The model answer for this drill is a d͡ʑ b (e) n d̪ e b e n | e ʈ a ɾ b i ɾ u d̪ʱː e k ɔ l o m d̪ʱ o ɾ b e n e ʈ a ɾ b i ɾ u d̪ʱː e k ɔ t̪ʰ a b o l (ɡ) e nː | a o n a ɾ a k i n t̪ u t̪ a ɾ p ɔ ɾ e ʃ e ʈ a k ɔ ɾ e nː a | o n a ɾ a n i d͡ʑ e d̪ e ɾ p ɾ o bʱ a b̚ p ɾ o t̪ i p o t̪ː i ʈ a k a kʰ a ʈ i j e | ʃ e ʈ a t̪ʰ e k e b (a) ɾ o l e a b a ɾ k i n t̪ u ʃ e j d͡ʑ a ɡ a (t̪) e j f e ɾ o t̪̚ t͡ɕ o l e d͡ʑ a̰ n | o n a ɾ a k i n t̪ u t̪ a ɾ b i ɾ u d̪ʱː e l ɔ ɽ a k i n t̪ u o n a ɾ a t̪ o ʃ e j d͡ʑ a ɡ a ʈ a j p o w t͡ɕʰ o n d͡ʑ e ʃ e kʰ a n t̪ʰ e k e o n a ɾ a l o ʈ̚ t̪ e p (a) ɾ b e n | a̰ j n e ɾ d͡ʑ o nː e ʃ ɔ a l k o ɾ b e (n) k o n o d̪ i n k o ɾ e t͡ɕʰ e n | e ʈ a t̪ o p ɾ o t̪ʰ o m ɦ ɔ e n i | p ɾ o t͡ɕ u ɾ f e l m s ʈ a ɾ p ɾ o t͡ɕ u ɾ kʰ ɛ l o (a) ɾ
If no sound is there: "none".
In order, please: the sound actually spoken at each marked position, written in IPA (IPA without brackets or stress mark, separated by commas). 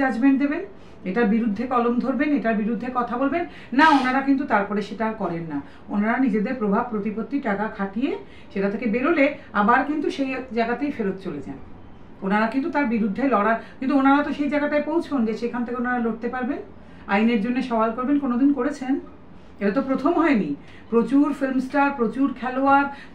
e, b, e, t̪, a, n, a